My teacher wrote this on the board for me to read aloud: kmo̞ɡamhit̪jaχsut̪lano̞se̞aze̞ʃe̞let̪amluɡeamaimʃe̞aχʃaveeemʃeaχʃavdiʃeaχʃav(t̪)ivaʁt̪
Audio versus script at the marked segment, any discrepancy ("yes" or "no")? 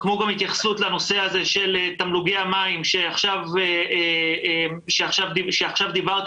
yes